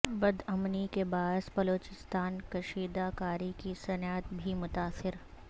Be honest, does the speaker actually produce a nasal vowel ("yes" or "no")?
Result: no